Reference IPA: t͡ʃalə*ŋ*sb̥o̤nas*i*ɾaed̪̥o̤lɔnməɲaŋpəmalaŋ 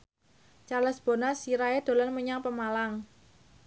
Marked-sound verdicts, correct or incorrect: incorrect, correct

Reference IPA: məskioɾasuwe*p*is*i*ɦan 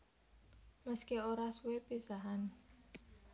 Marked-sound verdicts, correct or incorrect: correct, incorrect

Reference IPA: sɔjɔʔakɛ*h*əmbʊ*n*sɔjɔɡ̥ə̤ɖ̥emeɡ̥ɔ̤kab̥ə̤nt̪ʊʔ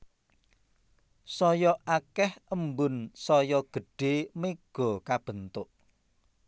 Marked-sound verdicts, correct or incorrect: correct, correct

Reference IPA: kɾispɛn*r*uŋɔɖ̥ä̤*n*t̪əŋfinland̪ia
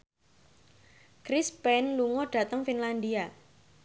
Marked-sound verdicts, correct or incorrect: incorrect, incorrect

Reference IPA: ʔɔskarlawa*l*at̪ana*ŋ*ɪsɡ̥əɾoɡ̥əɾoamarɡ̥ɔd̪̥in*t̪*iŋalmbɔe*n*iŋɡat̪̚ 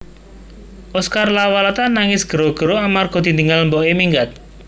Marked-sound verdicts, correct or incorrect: correct, correct, incorrect, incorrect

